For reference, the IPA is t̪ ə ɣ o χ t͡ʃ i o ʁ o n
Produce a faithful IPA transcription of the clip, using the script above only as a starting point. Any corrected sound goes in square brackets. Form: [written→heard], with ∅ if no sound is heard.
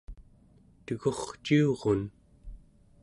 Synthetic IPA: t̪ ə ɣ o χ t͡ʃ i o ʁ o n